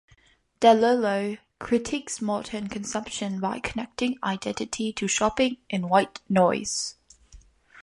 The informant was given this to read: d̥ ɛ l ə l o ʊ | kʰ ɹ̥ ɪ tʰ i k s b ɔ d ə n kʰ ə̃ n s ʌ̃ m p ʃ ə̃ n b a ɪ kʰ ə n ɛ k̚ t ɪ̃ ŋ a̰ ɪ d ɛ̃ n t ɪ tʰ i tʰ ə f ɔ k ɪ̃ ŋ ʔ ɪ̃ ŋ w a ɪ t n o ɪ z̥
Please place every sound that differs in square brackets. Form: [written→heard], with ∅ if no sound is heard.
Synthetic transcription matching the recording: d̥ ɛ l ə l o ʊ | kʰ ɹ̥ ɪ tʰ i k s [b→m] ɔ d ə n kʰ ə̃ n s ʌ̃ m p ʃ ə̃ n b a ɪ kʰ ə n ɛ k̚ t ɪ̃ ŋ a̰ ɪ d ɛ̃ n t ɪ tʰ i tʰ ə [f→ʃ] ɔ [k→p] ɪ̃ ŋ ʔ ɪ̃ [ŋ→n] w a ɪ t n [o→ɔ] ɪ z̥

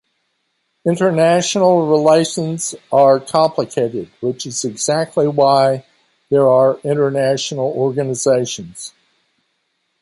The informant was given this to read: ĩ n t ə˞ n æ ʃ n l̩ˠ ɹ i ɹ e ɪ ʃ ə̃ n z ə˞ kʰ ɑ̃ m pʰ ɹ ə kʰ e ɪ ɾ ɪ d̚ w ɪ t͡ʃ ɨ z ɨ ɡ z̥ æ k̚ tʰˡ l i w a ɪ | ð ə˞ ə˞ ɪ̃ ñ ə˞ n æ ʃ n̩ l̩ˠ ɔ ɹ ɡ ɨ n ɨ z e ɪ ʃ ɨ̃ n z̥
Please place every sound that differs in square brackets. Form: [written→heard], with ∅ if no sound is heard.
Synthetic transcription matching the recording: [ĩ→ɪ̃] n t ə˞ n æ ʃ n l̩ˠ ɹ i [ɹ→l] e ɪ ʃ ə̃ n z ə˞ kʰ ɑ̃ m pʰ [ɹ→l] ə kʰ e ɪ ɾ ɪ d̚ w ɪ t͡ʃ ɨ z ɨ ɡ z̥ æ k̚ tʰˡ l i w a ɪ | ð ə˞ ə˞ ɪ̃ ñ ə˞ n æ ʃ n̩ l̩ˠ ɔ ɹ ɡ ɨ n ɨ z e ɪ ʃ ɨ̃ n z̥

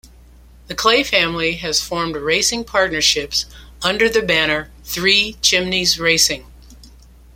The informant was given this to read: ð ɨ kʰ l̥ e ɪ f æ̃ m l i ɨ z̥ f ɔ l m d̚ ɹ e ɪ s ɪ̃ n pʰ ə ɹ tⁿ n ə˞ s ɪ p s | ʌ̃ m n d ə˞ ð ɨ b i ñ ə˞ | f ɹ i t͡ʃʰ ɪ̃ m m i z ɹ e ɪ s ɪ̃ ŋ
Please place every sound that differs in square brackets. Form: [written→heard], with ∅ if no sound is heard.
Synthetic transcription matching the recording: ð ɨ kʰ l̥ e ɪ f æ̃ m l i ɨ z̥ f ɔ [l→ɹ] m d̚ ɹ e ɪ s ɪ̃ [n→ŋ] pʰ [ə→ɑ] ɹ tⁿ n ə˞ [s→ʃ] ɪ p s | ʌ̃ [m→∅] n d ə˞ ð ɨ b [i→æ] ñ ə˞ | [f→θ] ɹ i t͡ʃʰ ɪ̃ m [m→n] i z ɹ e ɪ s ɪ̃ ŋ

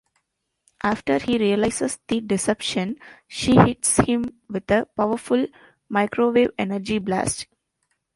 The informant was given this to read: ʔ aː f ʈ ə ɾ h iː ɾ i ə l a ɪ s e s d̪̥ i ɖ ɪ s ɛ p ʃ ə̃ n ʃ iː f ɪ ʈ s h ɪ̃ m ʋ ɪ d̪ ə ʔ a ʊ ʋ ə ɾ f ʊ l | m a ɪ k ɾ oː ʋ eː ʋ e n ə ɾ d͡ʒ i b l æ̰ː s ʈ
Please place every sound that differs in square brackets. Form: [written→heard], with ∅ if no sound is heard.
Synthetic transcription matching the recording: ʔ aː f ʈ ə ɾ h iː ɾ i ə l a ɪ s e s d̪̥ i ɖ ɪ s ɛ p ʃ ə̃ n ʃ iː [f→h] ɪ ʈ s h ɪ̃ m ʋ ɪ d̪ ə [ʔ→p] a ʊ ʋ ə ɾ f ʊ l | m a ɪ k ɾ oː ʋ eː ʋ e n ə ɾ d͡ʒ i b l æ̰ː s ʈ

